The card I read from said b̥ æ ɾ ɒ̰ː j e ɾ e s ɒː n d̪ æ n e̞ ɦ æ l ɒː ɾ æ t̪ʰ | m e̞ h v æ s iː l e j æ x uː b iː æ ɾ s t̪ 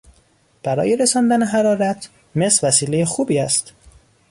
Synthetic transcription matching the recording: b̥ æ ɾ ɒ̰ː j e ɾ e s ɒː n d̪ æ n e̞ ɦ æ ɾ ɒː ɾ æ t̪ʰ | m e̞ s v æ s iː l e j e x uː b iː æ s t̪